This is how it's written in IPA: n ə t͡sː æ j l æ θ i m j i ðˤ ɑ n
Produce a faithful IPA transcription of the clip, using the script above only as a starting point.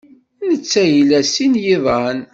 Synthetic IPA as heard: n ə t͡sː æ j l æ s i n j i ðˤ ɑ n